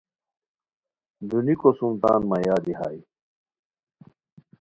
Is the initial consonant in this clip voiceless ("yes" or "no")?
no